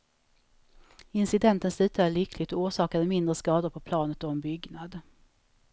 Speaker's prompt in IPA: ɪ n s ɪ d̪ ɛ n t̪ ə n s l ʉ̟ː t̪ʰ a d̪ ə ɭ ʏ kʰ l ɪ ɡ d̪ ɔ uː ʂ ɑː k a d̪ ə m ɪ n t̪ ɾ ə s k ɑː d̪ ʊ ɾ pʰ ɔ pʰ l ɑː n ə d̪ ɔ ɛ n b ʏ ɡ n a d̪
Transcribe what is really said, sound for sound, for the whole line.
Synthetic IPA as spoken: ɪ n s ɪ d̪ ɛ n t̪ ə n s l ʉ̟ː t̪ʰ a d̪ ə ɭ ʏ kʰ l ɪ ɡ t̪ ɔ uː ʂ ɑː k a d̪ ə m ɪ n d̪ ɾ ə s k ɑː d̪ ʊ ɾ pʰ ɔ pʰ l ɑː n ə t̪ ɔ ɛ n b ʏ ɡ n a d̪